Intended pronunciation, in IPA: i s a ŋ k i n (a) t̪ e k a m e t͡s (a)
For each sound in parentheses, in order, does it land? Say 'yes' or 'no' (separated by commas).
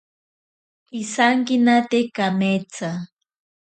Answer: yes, yes